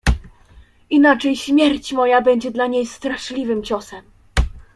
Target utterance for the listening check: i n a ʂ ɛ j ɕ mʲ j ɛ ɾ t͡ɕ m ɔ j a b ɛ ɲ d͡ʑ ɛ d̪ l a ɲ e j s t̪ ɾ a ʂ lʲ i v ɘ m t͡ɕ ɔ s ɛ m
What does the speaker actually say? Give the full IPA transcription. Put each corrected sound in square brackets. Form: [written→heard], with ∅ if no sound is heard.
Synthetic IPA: i n a [ʂ→t͡ʂ] ɛ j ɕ mʲ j ɛ ɾ t͡ɕ m ɔ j a b ɛ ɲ d͡ʑ ɛ d̪ l a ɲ e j s t̪ ɾ a ʂ lʲ i v ɘ m t͡ɕ ɔ s ɛ m